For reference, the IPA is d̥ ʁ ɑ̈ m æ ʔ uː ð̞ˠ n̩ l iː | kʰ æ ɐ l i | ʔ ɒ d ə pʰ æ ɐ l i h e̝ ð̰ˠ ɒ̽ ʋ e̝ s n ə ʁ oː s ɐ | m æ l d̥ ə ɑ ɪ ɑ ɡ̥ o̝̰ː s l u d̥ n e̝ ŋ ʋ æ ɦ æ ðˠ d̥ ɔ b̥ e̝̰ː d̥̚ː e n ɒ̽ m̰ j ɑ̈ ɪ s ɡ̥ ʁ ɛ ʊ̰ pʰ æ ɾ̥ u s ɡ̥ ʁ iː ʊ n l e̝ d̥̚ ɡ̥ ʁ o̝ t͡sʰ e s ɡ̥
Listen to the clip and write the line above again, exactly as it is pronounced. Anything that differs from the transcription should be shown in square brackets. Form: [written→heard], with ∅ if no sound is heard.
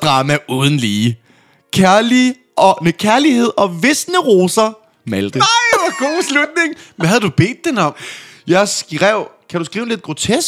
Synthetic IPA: d̥ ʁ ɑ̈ m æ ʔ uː ð̞ˠ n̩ l iː | kʰ æ ɐ l i | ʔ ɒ [d→n] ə [pʰ→kʰ] æ ɐ l i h e̝ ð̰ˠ ɒ̽ ʋ e̝ s n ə ʁ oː s ɐ | m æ l d̥ ə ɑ ɪ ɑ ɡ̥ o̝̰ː s l u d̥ n e̝ ŋ ʋ æ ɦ æ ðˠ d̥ [ɔ→u] b̥ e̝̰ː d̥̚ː e n ɒ̽ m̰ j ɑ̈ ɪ s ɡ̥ ʁ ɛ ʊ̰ [pʰ→kʰ] æ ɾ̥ u s ɡ̥ ʁ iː ʊ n l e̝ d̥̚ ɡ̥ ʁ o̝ t͡sʰ e s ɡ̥